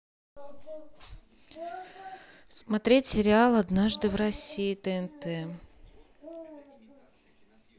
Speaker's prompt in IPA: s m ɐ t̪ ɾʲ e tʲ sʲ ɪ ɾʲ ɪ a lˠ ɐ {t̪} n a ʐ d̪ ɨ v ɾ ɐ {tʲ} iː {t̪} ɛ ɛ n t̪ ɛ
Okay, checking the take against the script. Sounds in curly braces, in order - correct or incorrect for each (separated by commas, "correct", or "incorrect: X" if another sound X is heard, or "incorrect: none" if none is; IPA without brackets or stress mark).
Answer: incorrect: d̪, incorrect: sʲ, correct